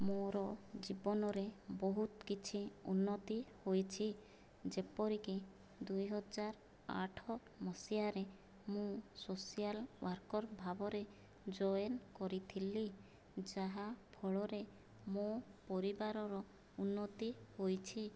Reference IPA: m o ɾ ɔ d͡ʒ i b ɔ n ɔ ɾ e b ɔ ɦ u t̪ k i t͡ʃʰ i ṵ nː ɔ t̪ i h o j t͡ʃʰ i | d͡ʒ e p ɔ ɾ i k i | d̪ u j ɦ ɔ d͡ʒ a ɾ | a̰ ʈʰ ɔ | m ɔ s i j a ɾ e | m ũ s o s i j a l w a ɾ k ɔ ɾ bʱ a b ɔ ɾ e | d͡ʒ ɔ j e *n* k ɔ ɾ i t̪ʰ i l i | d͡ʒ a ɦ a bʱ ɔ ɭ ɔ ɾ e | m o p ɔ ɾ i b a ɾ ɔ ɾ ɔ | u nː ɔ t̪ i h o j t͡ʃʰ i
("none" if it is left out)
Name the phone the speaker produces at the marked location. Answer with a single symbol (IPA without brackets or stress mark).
n